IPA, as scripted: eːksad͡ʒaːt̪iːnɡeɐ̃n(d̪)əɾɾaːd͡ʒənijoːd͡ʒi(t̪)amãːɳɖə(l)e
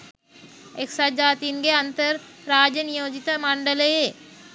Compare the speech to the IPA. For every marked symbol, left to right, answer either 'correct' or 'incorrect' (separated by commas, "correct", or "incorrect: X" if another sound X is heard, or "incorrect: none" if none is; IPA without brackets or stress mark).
incorrect: t̪, correct, correct